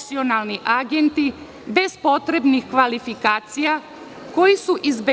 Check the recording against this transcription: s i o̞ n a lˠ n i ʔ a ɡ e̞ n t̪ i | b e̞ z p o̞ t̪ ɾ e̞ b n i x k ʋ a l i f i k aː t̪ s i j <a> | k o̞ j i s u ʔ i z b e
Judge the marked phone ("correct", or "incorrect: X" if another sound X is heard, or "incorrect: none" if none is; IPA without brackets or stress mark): correct